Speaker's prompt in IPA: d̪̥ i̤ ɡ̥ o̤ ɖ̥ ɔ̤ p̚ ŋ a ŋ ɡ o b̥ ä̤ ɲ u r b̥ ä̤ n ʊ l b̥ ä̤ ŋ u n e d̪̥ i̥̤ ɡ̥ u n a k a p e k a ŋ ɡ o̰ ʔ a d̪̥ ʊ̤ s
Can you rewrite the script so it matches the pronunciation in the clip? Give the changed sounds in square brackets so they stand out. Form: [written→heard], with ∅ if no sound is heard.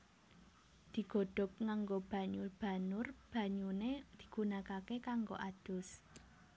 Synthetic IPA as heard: d̪̥ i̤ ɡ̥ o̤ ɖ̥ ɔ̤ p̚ ŋ a ŋ ɡ o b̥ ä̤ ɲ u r b̥ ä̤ n ʊ [l→r] b̥ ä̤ [ŋ→ɲ] u n e d̪̥ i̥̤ ɡ̥ u n a k a [p→k] e k a ŋ ɡ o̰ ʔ a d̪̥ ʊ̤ s